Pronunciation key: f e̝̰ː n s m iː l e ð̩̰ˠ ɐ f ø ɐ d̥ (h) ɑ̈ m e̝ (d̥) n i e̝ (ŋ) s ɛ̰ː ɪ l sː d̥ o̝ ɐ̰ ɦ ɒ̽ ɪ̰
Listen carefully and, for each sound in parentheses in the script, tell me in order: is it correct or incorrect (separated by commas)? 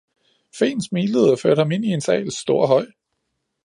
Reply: correct, incorrect, incorrect